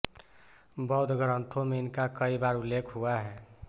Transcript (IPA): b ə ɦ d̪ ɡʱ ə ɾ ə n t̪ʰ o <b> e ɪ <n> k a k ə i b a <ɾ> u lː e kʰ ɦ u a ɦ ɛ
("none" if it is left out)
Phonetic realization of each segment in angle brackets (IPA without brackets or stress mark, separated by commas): m, n, ɾ